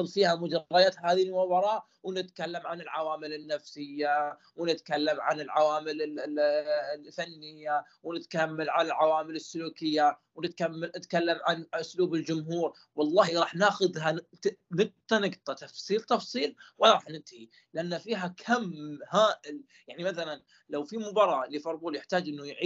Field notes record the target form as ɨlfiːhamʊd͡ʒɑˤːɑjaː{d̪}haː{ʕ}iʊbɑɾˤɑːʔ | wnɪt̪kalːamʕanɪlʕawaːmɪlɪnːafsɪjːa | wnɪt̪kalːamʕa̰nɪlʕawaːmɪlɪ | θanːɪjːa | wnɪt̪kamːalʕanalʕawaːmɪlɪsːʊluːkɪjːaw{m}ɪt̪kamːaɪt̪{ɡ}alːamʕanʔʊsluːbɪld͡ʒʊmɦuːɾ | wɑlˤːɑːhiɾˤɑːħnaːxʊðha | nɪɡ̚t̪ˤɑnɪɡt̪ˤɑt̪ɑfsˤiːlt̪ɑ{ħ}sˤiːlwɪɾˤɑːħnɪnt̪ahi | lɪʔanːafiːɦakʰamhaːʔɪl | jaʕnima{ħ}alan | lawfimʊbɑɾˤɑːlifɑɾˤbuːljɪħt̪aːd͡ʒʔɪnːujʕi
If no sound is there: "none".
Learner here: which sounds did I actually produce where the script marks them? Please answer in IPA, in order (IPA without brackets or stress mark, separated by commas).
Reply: t̪, ð, n, k, f, θ